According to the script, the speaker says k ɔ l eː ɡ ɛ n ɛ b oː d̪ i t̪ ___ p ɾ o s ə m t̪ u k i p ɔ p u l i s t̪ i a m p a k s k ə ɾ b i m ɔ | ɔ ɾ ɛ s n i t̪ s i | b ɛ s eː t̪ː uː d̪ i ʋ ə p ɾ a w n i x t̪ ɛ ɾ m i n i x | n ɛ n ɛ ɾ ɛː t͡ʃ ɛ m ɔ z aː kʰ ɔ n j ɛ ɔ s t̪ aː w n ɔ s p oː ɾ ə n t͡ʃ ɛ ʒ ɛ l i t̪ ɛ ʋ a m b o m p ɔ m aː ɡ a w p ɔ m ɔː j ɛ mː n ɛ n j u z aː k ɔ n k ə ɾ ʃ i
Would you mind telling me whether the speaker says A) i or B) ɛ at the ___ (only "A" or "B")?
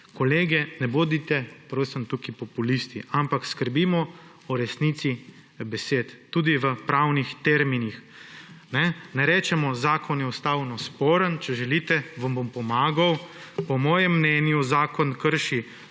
B